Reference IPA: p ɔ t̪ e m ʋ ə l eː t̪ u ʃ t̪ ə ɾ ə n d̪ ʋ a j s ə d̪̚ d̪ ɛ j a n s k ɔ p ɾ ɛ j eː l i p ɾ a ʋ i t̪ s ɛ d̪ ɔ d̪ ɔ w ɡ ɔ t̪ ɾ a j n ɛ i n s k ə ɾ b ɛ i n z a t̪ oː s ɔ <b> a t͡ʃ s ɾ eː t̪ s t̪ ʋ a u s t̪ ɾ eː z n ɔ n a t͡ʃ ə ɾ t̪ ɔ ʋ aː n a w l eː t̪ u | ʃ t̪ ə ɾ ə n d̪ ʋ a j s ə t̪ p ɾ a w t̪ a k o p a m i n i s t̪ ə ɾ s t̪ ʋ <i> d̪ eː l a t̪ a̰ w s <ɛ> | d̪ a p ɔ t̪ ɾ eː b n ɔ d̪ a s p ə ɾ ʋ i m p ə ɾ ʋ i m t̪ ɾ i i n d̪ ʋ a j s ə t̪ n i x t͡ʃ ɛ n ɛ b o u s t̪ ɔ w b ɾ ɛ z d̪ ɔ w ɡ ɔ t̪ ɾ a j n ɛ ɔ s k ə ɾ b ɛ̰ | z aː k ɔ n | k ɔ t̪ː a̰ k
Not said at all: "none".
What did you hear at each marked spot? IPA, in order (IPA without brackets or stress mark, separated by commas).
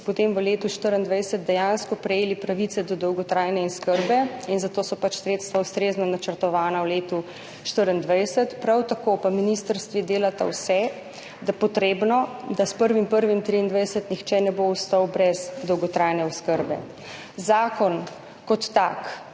p, i, ɛ